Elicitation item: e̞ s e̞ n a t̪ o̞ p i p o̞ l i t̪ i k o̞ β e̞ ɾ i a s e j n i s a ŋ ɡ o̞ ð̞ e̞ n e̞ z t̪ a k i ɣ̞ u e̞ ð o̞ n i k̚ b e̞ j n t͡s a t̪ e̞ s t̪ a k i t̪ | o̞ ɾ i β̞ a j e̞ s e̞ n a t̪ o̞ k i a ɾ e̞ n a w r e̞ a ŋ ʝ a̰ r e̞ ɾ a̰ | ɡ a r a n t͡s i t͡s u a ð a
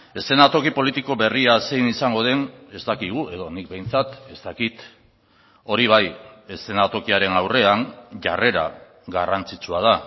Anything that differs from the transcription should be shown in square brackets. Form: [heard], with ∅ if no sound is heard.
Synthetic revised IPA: e̞ s e̞ n a t̪ o̞ [k] i p o̞ l i t̪ i k o̞ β e̞ [r] i a s e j n i s a ŋ ɡ o̞ ð̞ e̞ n e̞ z t̪ a k i ɣ̞ u e̞ ð o̞ n i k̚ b e̞ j n t͡s a t̪ e̞ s t̪ a k i t̪ | o̞ ɾ i β̞ a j e̞ s e̞ n a t̪ o̞ k i a ɾ e̞ n a w r e̞ a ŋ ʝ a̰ r e̞ ɾ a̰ | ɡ a r a n t͡s i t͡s u a ð a